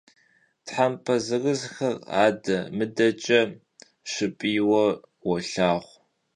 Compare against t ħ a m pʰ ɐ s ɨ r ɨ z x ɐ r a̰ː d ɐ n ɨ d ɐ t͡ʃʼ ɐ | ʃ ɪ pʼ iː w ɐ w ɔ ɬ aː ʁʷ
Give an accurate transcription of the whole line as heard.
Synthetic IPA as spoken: t ħ a m pʰ ɐ z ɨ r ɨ z x ɐ r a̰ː d ɐ m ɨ d ɐ t͡ʃʼ ɐ | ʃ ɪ pʼ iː w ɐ w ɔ ɬ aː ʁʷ